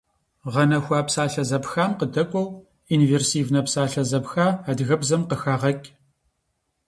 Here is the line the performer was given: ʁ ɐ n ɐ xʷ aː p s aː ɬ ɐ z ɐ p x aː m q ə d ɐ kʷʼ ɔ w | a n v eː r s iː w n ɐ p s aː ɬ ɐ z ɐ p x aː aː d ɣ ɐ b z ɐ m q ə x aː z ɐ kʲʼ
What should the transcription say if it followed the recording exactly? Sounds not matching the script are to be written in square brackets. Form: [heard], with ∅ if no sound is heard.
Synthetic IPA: ʁ ɐ n ɐ xʷ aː p s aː ɬ ɐ z ɐ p x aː m q ə d ɐ kʷʼ ɔ w | [i] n v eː r s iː [v] n ɐ p s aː ɬ ɐ z ɐ p x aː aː d ɣ ɐ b z ɐ m q ə x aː [ʁ] ɐ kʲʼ